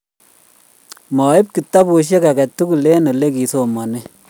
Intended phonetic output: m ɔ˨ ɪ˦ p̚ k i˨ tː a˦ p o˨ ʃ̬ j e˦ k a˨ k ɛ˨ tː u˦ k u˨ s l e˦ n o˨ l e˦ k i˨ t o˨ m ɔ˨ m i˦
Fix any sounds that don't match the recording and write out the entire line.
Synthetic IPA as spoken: m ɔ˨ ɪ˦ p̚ k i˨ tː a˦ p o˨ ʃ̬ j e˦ k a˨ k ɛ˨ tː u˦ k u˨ l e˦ n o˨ l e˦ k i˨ s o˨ m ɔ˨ n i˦